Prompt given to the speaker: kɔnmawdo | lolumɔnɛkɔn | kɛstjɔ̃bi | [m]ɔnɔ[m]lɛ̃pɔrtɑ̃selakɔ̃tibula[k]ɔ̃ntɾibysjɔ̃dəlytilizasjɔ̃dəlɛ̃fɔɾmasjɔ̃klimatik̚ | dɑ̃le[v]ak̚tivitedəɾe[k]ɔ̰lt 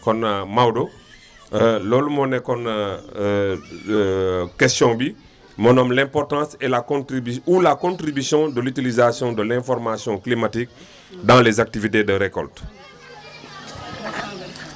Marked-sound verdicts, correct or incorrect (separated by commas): correct, correct, correct, incorrect, correct